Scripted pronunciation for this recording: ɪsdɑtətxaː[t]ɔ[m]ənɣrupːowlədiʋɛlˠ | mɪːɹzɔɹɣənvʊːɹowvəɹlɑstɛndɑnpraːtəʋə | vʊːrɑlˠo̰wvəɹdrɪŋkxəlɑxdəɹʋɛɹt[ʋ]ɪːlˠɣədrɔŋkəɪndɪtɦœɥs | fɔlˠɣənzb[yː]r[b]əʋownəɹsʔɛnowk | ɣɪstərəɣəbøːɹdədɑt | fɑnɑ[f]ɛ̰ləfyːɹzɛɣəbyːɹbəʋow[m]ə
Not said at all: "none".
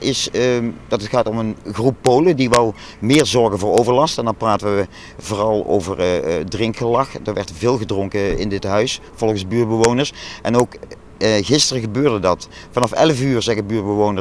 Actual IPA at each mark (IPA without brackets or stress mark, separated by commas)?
t, m, v, yː, b, f, n